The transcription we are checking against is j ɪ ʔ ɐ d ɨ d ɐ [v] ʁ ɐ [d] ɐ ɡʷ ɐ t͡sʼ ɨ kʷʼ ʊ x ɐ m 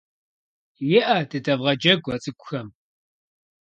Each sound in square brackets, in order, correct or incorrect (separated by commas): correct, incorrect